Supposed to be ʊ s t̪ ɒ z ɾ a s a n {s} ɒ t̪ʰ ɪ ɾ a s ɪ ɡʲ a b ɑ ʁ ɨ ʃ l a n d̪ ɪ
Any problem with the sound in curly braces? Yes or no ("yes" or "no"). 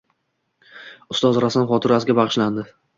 yes